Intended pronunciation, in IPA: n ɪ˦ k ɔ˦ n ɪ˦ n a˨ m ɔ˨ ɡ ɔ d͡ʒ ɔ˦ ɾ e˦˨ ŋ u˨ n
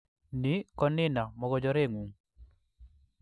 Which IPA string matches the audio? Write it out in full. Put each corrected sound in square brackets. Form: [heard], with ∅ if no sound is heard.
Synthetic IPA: n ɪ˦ k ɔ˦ n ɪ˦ n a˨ m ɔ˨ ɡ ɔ d͡ʒ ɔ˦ ɾ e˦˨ ŋ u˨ [ŋ]